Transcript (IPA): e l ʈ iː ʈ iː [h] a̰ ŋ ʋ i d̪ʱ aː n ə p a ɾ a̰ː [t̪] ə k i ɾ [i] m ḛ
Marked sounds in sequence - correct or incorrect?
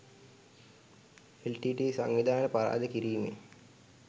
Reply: incorrect: s, incorrect: d̪, incorrect: iː

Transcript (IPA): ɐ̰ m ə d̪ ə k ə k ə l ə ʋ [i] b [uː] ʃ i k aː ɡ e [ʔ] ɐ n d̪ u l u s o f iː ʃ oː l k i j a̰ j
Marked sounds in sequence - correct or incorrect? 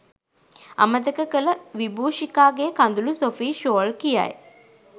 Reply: correct, correct, incorrect: k

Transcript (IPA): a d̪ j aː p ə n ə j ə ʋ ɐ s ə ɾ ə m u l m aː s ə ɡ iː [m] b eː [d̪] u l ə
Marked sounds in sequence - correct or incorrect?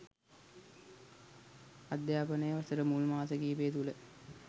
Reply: incorrect: none, incorrect: t̪

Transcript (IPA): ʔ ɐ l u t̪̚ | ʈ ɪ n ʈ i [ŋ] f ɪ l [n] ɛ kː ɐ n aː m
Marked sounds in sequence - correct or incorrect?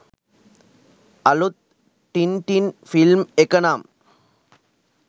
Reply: incorrect: n, incorrect: m

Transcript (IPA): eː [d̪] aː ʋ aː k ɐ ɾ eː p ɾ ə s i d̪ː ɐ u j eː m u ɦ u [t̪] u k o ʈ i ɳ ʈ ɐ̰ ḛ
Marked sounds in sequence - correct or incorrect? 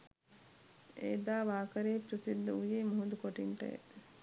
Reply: correct, incorrect: d̪

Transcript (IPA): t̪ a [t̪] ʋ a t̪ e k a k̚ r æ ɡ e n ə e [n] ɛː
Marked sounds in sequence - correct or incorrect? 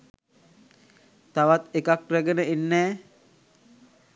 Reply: incorrect: none, incorrect: nː

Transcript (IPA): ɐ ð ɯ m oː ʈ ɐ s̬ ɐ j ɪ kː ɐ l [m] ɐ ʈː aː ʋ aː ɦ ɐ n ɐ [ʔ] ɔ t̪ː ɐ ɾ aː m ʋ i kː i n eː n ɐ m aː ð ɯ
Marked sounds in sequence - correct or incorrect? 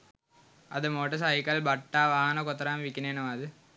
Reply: incorrect: b, incorrect: k

